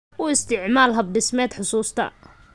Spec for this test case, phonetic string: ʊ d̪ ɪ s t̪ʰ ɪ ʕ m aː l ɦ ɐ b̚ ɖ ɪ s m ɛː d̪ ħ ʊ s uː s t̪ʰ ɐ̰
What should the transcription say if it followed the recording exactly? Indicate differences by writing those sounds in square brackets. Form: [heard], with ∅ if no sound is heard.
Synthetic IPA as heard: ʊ [∅] ɪ s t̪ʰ ɪ ʕ m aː l ɦ ɐ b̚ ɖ ɪ s m ɛː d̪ ħ ʊ s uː s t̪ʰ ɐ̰